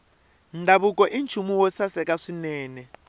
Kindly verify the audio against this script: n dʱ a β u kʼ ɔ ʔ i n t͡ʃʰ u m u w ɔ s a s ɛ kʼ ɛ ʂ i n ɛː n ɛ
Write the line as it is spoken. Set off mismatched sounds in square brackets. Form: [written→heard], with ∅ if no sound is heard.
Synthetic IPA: n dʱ a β u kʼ ɔ ʔ i n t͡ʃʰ u m u w ɔ s a s ɛ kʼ [ɛ→a] ʂ i n ɛː n ɛ